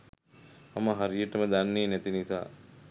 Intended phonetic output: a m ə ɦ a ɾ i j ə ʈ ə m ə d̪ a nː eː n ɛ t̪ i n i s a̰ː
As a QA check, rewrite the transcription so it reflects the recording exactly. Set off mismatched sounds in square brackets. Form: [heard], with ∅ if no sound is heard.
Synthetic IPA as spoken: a m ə ɦ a ɾ i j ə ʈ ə m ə d̪ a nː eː n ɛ t̪ i n i s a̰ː